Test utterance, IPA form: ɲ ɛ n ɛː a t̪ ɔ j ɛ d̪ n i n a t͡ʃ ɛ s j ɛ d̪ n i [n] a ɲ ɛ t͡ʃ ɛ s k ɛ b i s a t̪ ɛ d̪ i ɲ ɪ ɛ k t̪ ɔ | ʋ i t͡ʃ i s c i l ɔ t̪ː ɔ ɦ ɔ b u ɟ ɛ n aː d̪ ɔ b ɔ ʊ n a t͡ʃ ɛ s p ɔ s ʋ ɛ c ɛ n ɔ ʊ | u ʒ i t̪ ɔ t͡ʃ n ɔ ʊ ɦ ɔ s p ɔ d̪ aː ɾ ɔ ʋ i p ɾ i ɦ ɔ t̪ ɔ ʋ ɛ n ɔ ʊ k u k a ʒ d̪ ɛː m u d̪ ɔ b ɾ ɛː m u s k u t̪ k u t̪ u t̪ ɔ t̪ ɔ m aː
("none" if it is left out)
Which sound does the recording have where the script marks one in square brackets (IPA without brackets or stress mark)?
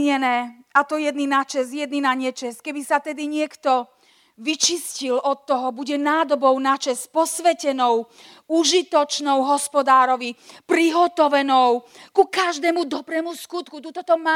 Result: n